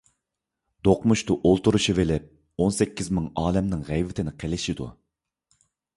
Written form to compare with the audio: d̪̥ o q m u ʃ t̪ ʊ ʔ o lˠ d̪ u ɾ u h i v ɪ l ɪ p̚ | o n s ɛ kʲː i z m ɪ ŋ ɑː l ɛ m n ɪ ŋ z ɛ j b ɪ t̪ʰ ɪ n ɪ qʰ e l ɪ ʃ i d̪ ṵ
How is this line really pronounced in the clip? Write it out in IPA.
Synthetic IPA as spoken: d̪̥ o q m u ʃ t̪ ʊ ʔ o lˠ t̪ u ɾ u ʃ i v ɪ l ɪ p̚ | o n s ɛ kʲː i z m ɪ ŋ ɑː l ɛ m n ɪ ŋ ʁ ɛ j v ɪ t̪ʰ ɪ n ɪ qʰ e l ɪ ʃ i d̪ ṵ